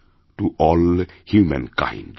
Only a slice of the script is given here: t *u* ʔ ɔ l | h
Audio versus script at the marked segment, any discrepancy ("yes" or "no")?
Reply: no